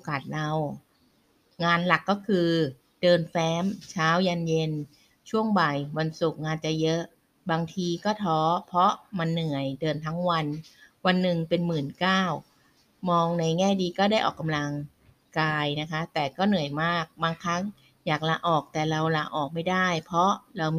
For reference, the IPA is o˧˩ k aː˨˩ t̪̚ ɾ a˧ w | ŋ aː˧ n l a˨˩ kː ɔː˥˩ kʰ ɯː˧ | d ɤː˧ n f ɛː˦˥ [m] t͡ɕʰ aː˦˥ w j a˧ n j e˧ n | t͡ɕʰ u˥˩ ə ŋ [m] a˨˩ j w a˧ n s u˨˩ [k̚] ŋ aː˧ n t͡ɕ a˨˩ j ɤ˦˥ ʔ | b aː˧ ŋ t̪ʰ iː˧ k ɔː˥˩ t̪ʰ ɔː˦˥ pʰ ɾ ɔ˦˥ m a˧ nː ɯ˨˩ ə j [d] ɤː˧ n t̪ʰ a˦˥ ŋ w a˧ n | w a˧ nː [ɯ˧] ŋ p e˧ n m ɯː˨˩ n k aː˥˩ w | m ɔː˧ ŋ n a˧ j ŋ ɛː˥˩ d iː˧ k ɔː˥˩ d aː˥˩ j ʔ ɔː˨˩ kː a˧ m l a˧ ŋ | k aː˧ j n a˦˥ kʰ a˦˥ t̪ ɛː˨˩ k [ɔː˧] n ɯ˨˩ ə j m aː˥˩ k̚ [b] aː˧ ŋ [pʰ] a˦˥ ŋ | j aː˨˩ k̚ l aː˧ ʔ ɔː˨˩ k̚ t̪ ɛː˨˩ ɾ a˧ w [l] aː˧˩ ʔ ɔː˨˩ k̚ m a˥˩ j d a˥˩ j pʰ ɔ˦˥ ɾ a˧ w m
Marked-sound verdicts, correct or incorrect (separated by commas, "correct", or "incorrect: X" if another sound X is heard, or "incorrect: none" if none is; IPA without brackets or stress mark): correct, incorrect: b, correct, correct, incorrect: ɯ˨˩, incorrect: ɔː˥˩, correct, incorrect: kʰ, correct